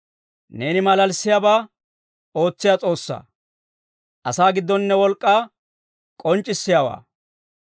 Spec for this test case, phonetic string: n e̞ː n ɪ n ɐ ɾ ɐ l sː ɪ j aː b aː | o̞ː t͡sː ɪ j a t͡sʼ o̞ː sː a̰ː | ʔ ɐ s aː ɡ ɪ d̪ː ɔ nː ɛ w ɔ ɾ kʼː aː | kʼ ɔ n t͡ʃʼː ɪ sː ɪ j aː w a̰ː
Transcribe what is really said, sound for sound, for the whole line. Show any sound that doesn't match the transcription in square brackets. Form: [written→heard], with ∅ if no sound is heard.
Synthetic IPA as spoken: n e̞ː n ɪ [n→m] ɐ [ɾ→l] ɐ l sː ɪ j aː b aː | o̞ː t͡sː ɪ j a t͡sʼ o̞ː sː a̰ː | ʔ ɐ s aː ɡ ɪ d̪ː ɔ nː ɛ w ɔ [ɾ→l] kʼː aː | kʼ ɔ n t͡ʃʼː ɪ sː ɪ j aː w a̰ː